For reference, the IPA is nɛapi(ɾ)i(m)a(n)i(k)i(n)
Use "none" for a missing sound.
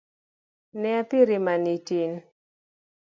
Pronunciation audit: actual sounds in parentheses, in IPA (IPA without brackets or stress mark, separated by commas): ɾ, m, n, t, n